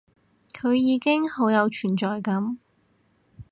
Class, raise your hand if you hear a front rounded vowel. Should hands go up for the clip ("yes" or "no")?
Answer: yes